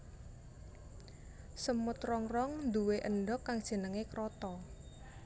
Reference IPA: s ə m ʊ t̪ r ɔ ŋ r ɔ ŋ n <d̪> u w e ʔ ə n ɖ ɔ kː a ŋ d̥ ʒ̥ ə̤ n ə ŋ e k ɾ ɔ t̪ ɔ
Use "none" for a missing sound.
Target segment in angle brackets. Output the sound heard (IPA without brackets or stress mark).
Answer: d̪